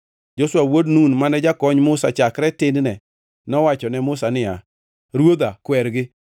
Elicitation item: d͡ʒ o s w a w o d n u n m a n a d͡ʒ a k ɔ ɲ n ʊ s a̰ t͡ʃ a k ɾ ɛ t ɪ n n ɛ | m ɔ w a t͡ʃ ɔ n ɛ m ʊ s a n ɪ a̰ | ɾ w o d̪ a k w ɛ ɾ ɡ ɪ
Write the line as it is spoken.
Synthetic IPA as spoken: d͡ʒ o s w a w o d n u n m a n ɛ d͡ʒ a k ɔ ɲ m ʊ s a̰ t͡ʃ a k ɾ ɛ t ɪ n n ɛ | n ɔ w a t͡ʃ ɔ n ɛ m ʊ s a n ɪ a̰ | ɾ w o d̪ a k w ɛ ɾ ɡ ɪ

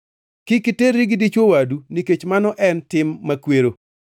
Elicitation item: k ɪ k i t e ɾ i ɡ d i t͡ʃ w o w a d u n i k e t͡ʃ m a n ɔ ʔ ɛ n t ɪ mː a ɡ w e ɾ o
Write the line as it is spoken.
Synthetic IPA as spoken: k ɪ k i t e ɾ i ɡ d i t͡ʃ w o w a d u n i k e t͡ʃ m a n ɔ ʔ ɛ n t ɪ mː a k w e ɾ o

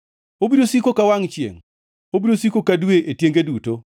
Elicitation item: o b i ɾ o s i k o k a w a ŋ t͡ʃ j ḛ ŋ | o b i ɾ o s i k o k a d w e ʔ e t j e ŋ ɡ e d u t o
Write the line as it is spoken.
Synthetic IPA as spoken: o b i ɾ o s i k o k a w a ŋ t͡ʃ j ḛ ŋ | o b i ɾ o s i k o k a d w e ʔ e t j e ŋ ɡ e d u t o

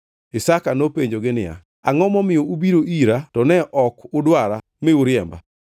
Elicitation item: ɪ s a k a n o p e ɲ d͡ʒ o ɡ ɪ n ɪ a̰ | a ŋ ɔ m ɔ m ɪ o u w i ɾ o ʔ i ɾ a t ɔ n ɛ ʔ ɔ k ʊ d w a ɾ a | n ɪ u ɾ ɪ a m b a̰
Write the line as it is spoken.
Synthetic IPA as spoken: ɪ s a k a n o p e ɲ d͡ʒ o ɡ ɪ n ɪ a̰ | a ŋ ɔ m ɔ m ɪ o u b i ɾ o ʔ i ɾ a t ɔ n ɛ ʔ ɔ k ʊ d w a ɾ a | m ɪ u ɾ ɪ ɛ m b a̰

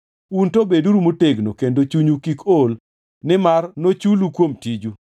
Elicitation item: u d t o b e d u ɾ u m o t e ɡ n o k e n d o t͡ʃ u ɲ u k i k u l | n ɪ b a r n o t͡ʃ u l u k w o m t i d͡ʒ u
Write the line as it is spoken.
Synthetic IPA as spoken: u n t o b e d u ɾ u m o t e ɡ n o k e n d o t͡ʃ u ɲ u k i k o l | n ɪ m a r n o t͡ʃ u l u k w o m t i d͡ʒ u

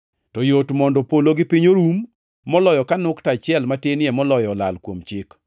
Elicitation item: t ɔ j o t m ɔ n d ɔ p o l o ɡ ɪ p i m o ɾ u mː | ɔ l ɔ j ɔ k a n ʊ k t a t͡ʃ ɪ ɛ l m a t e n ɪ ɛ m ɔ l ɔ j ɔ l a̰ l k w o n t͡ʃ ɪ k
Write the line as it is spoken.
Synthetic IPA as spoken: t ɔ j o t m ɔ n d ɔ p o l o ɡ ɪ p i ɲ o ɾ u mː | ɔ l ɔ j ɔ k a n ʊ k t a t͡ʃ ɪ ɛ l m a t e n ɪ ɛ m ɔ l ɔ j ɔ l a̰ l k w o m t͡ʃ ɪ k

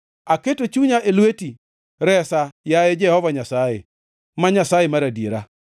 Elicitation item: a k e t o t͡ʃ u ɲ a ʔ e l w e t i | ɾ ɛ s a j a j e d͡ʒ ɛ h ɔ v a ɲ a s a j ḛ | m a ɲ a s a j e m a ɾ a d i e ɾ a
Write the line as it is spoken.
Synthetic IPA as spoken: a k e t o t͡ʃ u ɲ a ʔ e l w e t i | ɾ ɛ s a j a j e d͡ʒ ɛ h ɔ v a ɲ a s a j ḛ | m a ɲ a s a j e m a ɾ a d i e ɾ a

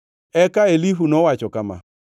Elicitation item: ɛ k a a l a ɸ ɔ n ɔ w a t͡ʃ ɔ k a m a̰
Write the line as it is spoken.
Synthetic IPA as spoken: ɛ k a e l i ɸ u n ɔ w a t͡ʃ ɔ k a m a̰

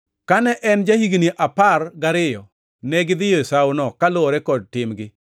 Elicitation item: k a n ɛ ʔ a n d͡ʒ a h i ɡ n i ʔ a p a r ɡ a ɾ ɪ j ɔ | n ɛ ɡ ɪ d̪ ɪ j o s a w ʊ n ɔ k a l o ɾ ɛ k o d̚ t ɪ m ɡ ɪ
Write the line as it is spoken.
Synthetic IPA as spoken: k a n ɛ ʔ ɛ n d͡ʒ a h i ɡ n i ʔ a p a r ɡ a ɾ ɪ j ɔ | n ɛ ɡ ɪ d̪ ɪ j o s a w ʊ n ɔ k a l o ɾ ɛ k ɔ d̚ t ɪ m ɡ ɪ

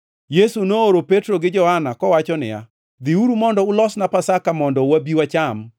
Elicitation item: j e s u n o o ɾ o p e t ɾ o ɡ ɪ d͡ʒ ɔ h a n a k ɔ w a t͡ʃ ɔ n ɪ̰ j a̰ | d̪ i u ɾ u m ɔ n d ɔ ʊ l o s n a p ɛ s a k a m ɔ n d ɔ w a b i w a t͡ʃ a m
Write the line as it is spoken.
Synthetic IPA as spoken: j e s u n o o ɾ o p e t ɾ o ɡ ɪ d͡ʒ ɔ h a n a k ɔ w a t͡ʃ ɔ n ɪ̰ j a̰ | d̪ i u ɾ u m ɔ n d ɔ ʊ l ɔ s n a p a s a k a m ɔ n d ɔ w a b i w a t͡ʃ a m

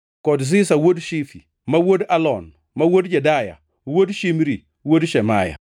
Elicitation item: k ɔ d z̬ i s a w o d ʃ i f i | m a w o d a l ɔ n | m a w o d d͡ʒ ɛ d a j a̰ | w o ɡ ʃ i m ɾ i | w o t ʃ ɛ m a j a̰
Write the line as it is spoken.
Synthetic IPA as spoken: k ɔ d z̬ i s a w o d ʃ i f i | m a w o d a l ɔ n | m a w o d d͡ʒ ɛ d a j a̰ | w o d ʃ i m ɾ i | w o d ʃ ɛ m a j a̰

